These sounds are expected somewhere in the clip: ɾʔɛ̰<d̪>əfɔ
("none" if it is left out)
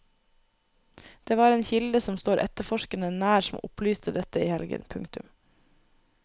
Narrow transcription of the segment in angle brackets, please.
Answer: t̪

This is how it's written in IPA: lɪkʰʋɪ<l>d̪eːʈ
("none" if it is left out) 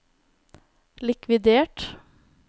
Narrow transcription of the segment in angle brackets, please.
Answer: none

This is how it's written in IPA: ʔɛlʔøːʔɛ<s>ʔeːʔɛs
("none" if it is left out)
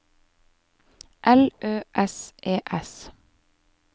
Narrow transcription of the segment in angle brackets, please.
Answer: s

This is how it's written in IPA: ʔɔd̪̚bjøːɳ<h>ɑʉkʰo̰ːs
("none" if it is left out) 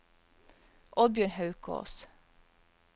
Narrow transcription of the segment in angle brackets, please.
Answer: h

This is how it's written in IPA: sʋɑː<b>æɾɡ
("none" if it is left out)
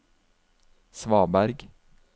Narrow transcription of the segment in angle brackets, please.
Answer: b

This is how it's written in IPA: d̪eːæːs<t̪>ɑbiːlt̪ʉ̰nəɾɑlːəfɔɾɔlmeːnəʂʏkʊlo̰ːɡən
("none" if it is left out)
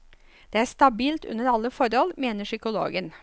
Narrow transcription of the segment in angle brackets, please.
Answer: t̪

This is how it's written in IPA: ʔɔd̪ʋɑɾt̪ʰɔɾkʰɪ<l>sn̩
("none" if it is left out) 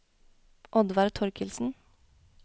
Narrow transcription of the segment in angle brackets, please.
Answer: l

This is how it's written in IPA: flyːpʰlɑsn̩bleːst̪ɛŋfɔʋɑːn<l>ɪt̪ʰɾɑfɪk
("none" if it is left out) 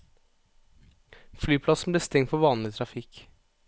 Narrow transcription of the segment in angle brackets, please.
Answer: l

